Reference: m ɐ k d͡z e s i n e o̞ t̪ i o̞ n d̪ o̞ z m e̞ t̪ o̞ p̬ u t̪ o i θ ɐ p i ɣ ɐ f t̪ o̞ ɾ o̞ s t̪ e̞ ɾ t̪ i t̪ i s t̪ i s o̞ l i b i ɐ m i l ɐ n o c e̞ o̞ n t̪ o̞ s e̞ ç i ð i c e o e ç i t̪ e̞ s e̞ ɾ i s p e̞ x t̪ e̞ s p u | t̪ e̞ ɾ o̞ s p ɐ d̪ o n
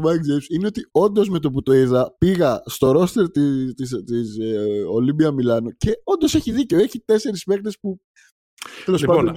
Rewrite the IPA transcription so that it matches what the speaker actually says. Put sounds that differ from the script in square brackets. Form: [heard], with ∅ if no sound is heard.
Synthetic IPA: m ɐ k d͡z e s i n e o̞ t̪ i o̞ n d̪ o̞ z m e̞ t̪ o̞ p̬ u t̪ o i [ð] ɐ p i ɣ ɐ [s] t̪ o̞ ɾ o̞ s t̪ e̞ ɾ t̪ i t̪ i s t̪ i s o̞ l i b i ɐ m i l ɐ n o c e̞ o̞ n [d̪] o̞ s e̞ ç i ð i c e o e ç i t̪ e̞ s e̞ ɾ i s p e̞ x t̪ e̞ s p u | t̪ e̞ [l] o̞ s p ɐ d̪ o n